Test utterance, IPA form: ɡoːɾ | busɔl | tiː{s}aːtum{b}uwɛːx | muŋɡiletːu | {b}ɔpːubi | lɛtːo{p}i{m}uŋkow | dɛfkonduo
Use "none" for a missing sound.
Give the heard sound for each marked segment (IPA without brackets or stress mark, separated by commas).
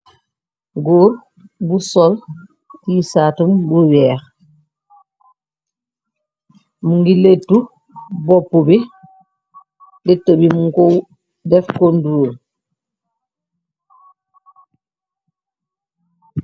s, b, b, b, m